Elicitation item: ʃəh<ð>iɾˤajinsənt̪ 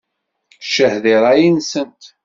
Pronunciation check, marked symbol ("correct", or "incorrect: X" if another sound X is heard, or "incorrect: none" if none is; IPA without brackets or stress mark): correct